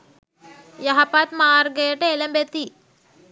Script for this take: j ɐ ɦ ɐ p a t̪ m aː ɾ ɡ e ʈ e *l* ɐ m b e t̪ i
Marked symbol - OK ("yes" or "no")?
yes